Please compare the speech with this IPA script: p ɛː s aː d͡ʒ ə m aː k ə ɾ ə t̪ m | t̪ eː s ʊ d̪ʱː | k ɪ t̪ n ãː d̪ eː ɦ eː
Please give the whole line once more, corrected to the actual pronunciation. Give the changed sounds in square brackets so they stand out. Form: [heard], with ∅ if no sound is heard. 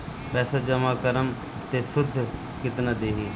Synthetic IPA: p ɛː s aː d͡ʒ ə m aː k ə ɾ ə [∅] m | t̪ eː s ʊ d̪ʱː | k ɪ t̪ n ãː d̪ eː ɦ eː